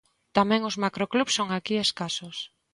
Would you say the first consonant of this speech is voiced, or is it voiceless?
voiceless